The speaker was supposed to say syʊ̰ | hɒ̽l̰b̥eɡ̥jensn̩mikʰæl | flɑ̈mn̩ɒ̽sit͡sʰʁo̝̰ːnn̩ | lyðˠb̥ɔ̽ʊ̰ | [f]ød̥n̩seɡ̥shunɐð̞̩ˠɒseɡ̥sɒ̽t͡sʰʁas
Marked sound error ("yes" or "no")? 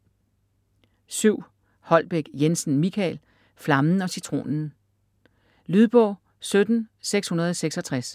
yes